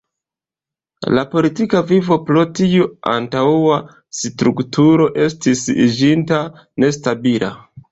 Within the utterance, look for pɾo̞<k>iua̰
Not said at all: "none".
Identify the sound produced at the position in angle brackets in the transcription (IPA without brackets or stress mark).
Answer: t